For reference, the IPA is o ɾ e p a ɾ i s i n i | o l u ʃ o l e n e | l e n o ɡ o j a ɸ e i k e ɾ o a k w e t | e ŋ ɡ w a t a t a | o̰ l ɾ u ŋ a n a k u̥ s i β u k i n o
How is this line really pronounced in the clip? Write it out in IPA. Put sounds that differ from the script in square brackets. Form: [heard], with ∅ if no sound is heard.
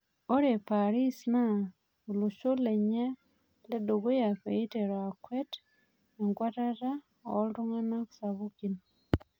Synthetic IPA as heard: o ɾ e p a ɾ i s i n [a] | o l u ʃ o l e [ɲ] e | l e [d] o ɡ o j a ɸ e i [t] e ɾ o a k w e t | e ŋ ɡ w a t a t a | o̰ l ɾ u ŋ a n a k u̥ s [a] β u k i n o